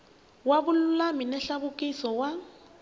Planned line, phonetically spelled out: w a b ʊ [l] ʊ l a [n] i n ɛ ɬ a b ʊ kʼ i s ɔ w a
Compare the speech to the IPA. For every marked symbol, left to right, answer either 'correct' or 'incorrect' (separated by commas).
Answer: correct, incorrect